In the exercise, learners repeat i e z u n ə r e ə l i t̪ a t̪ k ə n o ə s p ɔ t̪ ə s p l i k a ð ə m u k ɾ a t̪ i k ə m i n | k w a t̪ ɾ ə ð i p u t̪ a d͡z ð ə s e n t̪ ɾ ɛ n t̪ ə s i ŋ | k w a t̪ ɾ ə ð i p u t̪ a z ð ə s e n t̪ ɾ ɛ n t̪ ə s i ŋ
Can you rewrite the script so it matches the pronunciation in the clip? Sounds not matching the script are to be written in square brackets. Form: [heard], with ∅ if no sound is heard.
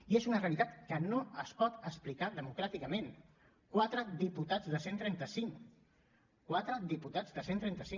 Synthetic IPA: i e z u n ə r e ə l i t̪ a t̪ k ə n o ə s p ɔ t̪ ə s p l i k a ð ə m u k ɾ a t̪ i k ə m [e] n | k w a t̪ ɾ ə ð i p u t̪ a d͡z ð ə s e n t̪ ɾ ɛ n t̪ ə s i ŋ | k w a t̪ ɾ ə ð i p u t̪ a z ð ə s e n t̪ ɾ ɛ n t̪ ə s i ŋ